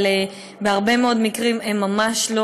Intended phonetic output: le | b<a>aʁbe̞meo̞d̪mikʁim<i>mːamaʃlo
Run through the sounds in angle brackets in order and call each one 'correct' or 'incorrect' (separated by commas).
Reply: incorrect, incorrect